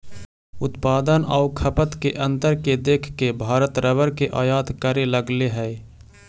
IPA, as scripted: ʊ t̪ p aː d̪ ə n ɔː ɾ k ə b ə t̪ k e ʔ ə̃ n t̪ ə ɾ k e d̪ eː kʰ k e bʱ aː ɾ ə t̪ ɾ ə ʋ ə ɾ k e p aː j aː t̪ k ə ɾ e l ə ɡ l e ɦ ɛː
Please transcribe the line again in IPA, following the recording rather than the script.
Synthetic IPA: ʊ t̪ p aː d̪ ə n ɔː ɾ kʰ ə p ə t̪ k e ʔ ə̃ n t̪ ə ɾ k e d̪ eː kʰ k e bʱ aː ɾ ə t̪ ɾ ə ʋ ə ɾ k e ʔ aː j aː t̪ k ə ɾ e l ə ɡ l e ɦ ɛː